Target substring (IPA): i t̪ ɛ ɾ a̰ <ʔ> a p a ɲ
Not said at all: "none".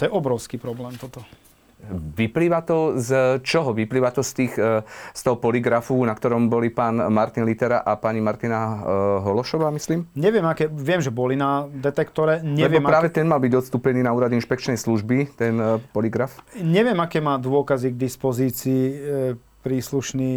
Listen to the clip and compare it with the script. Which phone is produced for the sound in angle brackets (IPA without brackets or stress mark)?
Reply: ʔ